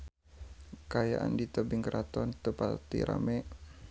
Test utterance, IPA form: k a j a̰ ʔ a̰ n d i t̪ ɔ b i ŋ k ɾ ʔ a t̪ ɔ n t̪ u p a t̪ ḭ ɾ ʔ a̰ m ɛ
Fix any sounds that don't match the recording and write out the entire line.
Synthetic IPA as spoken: k a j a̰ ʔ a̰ n d i t̪ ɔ b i ŋ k ɾ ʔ a t̪ ɔ n t̪ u p a t̪ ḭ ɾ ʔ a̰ m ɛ